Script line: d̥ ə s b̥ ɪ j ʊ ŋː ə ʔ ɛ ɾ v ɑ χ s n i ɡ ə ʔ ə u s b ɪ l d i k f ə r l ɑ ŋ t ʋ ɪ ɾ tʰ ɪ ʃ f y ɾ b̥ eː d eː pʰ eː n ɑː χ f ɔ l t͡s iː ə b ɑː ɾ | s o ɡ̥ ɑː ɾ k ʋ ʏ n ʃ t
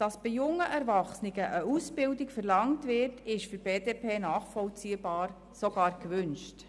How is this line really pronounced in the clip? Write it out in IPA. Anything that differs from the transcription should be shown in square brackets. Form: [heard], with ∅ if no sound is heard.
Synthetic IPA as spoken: d̥ [ɑ] s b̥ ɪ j ʊ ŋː ə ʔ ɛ ɾ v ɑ χ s n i ɡ ə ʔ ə u s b ɪ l d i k f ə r l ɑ ŋ t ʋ ɪ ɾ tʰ ɪ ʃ f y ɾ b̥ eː d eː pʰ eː n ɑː χ f ɔ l t͡s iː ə b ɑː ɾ | s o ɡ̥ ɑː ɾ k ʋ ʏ n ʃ t